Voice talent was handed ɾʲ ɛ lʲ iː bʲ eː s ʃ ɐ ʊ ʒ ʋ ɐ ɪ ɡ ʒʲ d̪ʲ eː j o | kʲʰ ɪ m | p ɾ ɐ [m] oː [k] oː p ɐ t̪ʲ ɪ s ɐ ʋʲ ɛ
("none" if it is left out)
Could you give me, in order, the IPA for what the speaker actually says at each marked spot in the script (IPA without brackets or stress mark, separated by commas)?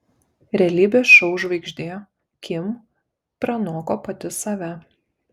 n, k